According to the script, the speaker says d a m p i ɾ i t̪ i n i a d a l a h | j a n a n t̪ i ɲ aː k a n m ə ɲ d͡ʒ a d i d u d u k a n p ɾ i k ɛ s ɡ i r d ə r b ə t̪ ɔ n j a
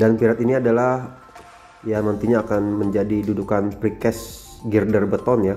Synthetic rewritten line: d a n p i ɾ a t̪ i n i a d a l a h | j a n a n t̪ i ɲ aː k a n m ə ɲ d͡ʒ a d i d u d u k a n p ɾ i k ɛ s ɡ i r d ə r b ə t̪ ɔ n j a